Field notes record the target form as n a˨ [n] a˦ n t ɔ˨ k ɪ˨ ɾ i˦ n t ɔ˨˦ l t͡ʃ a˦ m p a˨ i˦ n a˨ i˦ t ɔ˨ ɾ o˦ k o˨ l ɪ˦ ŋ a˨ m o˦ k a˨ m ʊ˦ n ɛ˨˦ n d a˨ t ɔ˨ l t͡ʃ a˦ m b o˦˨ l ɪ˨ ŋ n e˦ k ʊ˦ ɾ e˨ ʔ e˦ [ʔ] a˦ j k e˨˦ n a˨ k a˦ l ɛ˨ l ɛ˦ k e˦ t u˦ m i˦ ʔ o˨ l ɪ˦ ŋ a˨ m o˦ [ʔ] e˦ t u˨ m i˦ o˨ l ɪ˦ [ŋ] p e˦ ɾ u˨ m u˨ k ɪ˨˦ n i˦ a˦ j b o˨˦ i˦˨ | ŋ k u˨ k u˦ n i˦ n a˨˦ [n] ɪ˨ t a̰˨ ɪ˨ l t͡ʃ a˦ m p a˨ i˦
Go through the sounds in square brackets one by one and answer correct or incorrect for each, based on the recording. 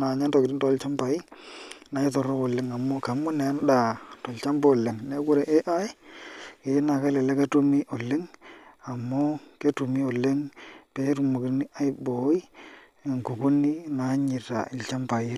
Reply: incorrect: ɲ, correct, incorrect: k, correct, incorrect: ɲ

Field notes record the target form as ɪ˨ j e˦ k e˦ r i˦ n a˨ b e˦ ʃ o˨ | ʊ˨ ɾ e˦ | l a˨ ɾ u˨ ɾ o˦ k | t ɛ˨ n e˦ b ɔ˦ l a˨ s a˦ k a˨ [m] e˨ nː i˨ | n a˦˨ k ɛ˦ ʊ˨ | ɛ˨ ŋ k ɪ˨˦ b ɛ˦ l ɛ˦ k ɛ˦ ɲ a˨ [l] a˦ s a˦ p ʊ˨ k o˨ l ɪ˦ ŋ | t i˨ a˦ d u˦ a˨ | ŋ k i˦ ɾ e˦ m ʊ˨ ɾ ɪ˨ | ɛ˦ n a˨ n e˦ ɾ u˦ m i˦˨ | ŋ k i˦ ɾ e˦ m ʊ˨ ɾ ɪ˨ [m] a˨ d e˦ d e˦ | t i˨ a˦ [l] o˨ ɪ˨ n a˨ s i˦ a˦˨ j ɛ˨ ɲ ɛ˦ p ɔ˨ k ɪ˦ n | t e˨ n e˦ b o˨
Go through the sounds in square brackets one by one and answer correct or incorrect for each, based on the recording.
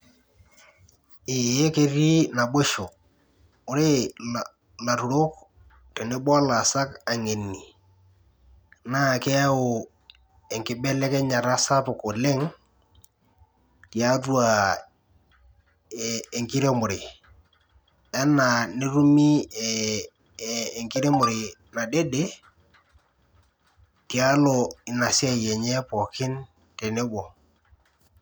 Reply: incorrect: ŋ, incorrect: ɾ, incorrect: n, correct

